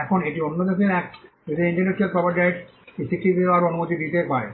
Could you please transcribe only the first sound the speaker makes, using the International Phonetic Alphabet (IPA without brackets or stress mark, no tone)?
ɛ